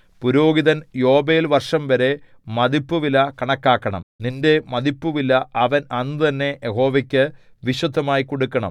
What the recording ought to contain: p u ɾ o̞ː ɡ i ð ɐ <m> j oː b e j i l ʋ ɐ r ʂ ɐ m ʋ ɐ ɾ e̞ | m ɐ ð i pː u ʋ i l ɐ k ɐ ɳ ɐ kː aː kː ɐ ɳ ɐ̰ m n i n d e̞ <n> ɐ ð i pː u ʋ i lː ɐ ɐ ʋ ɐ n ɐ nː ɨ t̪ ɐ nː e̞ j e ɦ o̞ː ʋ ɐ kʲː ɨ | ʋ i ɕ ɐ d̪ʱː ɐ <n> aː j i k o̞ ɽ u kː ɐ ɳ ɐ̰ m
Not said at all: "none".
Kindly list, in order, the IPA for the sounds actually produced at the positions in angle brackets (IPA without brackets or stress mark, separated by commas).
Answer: n, m, m